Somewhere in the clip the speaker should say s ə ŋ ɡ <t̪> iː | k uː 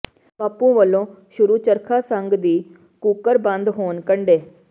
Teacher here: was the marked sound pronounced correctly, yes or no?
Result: no